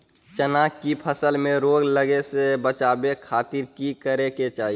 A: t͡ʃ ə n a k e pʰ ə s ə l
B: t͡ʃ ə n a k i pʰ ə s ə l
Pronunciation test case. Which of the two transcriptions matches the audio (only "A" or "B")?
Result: B